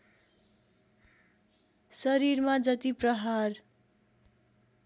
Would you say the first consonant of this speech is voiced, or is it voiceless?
voiceless